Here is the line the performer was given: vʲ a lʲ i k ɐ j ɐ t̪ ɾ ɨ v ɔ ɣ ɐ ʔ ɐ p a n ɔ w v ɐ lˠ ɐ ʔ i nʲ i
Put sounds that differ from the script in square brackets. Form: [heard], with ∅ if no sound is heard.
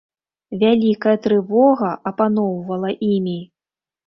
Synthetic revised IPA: vʲ a lʲ i k ɐ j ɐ t̪ ɾ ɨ v ɔ ɣ ɐ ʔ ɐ p a n ɔ w v ɐ lˠ ɐ ʔ i [mʲ] i

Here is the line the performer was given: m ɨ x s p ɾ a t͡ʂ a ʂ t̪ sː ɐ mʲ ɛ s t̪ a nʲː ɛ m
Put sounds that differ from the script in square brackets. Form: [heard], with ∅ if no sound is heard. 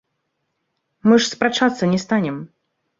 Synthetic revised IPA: m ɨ [ʂ] s p ɾ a t͡ʂ a [∅] t̪ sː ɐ [nʲ] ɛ s t̪ a [nʲ] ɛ m

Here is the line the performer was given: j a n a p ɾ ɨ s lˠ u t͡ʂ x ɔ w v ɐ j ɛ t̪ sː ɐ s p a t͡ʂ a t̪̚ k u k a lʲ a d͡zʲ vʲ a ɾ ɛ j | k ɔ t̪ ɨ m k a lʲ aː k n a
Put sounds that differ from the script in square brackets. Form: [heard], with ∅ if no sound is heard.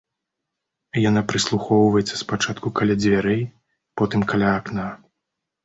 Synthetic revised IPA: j a n a p ɾ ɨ s lˠ u [∅] x ɔ w v ɐ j ɛ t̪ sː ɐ s p a t͡ʂ a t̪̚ k u k a lʲ a d͡zʲ vʲ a ɾ ɛ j | [p] ɔ t̪ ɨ m k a lʲ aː k n a

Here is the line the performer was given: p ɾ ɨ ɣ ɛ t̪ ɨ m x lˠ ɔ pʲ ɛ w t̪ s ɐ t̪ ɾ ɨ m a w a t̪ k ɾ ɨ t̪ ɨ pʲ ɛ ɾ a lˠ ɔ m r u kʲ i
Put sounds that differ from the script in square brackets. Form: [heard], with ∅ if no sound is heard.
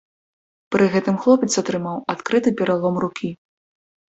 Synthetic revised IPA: p ɾ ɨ ɣ ɛ t̪ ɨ m x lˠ ɔ pʲ ɛ [∅] t̪ s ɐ t̪ ɾ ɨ m a w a t̪ k ɾ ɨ t̪ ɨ pʲ ɛ ɾ a lˠ ɔ m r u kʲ i

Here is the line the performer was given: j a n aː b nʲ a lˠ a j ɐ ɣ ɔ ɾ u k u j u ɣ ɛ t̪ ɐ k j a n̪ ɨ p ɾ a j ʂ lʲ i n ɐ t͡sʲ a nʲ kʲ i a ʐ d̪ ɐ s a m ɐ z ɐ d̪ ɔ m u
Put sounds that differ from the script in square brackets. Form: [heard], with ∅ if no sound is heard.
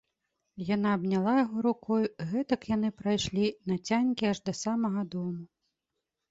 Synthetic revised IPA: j a n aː b nʲ a lˠ a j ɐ ɣ ɔ ɾ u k [ɔ] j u ɣ ɛ t̪ ɐ k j a n̪ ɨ p ɾ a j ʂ lʲ i n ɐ t͡sʲ a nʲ kʲ i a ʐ d̪ ɐ s a m ɐ [ɣ] ɐ d̪ ɔ m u

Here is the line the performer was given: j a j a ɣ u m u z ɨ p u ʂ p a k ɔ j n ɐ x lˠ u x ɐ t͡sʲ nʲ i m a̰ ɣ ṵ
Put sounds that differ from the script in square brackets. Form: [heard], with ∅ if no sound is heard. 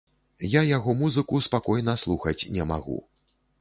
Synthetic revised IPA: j a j a ɣ [ɔ] m u z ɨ [k] u [s] p a k ɔ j n ɐ [s] lˠ u x ɐ t͡sʲ nʲ [ɛ] m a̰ ɣ ṵ

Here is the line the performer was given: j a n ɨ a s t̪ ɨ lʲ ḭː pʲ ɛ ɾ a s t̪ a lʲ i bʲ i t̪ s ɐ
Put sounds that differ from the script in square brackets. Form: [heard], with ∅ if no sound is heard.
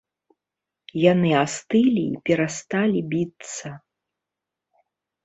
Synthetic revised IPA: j a n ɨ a s t̪ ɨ lʲ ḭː pʲ ɛ ɾ a s t̪ a lʲ i bʲ i t̪ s ɐ

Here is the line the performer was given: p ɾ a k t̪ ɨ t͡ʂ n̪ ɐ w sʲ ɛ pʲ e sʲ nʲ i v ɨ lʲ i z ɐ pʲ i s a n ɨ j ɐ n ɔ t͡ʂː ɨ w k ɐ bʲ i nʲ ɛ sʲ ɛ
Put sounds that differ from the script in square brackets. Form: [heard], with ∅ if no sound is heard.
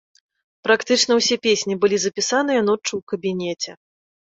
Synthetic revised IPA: p ɾ a k t̪ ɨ t͡ʂ n̪ ɐ w sʲ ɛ pʲ e sʲ nʲ i [b] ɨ lʲ i z ɐ pʲ i s a n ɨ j ɐ n ɔ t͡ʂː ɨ w k ɐ bʲ i nʲ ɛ [t͡sʲ] ɛ

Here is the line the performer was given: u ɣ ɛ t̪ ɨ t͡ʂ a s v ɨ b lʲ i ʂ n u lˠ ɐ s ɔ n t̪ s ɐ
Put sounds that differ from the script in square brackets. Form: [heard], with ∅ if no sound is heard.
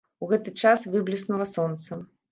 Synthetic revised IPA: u ɣ ɛ t̪ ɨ t͡ʂ a s v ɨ b lʲ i [s] n u lˠ ɐ s ɔ n t̪ s ɐ

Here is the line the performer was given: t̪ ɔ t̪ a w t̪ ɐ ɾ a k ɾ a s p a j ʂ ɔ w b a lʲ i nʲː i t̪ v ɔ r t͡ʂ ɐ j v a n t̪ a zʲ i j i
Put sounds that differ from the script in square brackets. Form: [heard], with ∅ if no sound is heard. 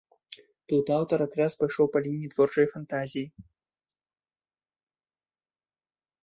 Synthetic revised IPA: t̪ [u] t̪ a w t̪ ɐ ɾ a k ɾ a s p a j ʂ ɔ w [p] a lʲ i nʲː i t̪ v ɔ r t͡ʂ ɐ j [f] a n t̪ a zʲ i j i

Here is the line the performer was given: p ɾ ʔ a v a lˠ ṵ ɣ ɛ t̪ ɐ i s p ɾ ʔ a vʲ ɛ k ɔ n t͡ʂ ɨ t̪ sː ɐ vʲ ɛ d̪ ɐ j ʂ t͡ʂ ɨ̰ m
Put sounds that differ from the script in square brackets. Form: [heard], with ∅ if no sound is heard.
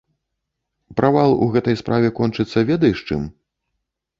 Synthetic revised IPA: p ɾ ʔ a v a lˠ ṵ ɣ ɛ t̪ ɐ [j] s p ɾ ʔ a vʲ ɛ k ɔ n t͡ʂ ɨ t̪ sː ɐ vʲ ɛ d̪ ɐ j ʂ t͡ʂ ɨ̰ m

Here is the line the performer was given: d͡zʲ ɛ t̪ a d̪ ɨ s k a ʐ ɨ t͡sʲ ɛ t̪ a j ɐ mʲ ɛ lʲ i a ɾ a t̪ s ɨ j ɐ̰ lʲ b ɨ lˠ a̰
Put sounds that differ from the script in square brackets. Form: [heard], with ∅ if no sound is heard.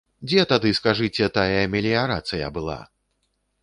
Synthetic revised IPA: d͡zʲ ɛ t̪ a d̪ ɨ s k a ʐ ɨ t͡sʲ ɛ t̪ a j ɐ mʲ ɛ lʲ i a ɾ a t̪ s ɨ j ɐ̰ [∅] b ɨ lˠ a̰

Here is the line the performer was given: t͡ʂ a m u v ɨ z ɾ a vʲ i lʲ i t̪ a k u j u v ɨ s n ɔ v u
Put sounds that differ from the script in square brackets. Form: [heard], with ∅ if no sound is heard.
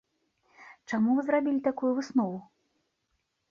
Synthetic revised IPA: t͡ʂ a m u v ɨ z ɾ a [bʲ] i lʲ i t̪ a k u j u v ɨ s n ɔ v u

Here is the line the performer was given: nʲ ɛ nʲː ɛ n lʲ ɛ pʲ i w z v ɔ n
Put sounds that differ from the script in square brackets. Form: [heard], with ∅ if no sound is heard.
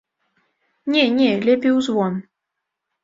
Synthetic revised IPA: nʲ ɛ [nʲ] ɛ [∅] lʲ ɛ pʲ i w z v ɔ n

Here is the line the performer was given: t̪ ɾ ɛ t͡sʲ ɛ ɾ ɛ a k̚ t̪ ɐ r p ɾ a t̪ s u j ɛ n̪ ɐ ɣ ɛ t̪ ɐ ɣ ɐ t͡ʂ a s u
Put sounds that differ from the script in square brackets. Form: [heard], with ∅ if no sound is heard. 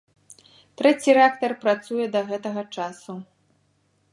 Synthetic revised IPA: t̪ ɾ ɛ t͡sʲ [i] ɾ ɛ a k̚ t̪ ɐ r p ɾ a t̪ s u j ɛ [d̪] ɐ ɣ ɛ t̪ ɐ ɣ ɐ t͡ʂ a s u

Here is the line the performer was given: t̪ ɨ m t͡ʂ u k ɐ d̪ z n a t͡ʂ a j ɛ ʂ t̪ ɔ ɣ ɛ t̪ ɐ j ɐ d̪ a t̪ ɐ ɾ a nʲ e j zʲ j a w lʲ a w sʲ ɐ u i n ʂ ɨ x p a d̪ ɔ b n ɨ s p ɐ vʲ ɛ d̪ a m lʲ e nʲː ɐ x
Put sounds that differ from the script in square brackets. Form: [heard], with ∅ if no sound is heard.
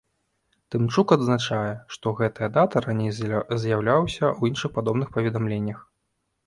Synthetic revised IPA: t̪ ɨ m t͡ʂ u k ɐ d̪ z n a t͡ʂ a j ɛ ʂ t̪ ɔ ɣ ɛ t̪ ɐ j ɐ d̪ a t̪ ɐ ɾ a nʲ e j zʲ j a w lʲ a w sʲ ɐ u i n ʂ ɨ x p a d̪ ɔ b n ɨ [x] p ɐ vʲ ɛ d̪ a m lʲ e nʲː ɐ x

